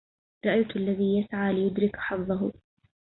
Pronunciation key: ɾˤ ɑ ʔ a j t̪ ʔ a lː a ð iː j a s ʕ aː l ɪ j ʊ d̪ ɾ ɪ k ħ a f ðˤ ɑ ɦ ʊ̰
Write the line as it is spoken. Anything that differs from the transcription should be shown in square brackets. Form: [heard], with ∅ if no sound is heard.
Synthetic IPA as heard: ɾˤ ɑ ʔ a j t̪ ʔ a lː a ð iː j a s ʕ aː l ɪ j ʊ d̪ ɾ ɪ k ħ [ɑ] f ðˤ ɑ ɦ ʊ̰